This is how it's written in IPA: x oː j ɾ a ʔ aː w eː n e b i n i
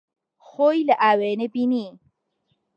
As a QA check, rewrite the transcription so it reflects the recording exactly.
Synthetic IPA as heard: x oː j l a ʔ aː w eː n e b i n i